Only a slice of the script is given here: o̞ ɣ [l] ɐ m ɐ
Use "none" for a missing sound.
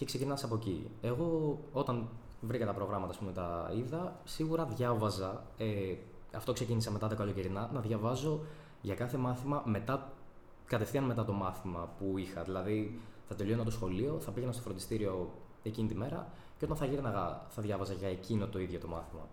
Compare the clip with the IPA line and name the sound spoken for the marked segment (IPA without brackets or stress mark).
ɾ